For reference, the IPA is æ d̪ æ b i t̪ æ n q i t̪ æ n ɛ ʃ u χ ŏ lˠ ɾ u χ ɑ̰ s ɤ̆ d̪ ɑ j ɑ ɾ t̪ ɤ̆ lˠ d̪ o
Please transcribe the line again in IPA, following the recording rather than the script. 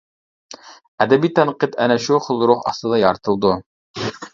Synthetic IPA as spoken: æ d̪ æ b i t̪ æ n q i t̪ æ n æ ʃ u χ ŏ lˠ ɾ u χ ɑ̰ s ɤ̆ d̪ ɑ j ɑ ɾ t̪ ɤ̆ lˠ d̪ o